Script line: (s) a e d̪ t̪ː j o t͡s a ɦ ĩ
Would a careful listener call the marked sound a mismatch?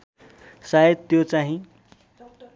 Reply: no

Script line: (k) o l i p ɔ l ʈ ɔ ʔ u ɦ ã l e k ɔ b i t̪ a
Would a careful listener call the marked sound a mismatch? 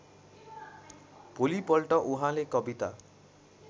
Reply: yes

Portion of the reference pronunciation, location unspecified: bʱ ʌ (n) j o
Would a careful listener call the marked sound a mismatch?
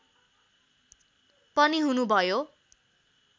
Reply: yes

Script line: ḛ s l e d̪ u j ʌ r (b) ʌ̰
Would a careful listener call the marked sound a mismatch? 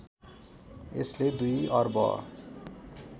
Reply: no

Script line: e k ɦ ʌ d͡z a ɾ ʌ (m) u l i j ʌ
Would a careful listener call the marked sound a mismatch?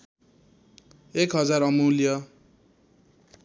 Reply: no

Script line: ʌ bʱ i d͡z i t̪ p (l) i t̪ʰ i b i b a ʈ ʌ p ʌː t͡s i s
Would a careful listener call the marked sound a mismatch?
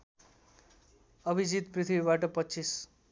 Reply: yes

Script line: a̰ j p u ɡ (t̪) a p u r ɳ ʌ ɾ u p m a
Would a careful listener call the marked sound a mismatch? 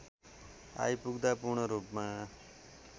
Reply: yes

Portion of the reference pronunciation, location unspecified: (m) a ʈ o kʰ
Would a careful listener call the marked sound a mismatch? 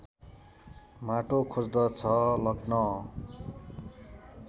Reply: no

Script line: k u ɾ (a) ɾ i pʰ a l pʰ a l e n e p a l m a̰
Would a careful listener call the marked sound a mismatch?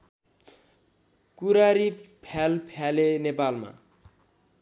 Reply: no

